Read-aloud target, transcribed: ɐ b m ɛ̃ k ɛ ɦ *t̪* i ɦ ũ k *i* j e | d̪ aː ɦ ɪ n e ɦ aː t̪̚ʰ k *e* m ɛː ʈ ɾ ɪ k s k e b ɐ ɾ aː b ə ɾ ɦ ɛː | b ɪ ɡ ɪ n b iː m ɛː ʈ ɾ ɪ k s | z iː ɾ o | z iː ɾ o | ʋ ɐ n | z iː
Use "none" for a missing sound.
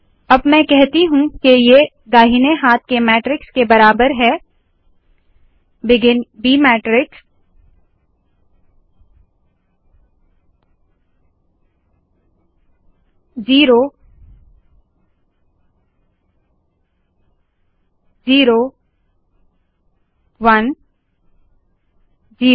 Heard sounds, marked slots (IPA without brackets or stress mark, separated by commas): t̪, e, e